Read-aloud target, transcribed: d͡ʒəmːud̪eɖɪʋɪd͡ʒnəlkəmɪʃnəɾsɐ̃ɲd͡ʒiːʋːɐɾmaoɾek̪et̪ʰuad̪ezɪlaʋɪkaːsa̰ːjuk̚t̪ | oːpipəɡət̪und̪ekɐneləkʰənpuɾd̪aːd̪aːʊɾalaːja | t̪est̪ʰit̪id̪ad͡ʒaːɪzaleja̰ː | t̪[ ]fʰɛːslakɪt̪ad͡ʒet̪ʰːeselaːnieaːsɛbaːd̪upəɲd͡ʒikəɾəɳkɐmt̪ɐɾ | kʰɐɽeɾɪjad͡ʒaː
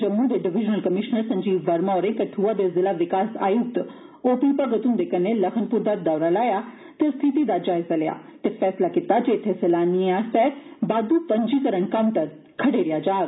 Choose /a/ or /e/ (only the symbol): e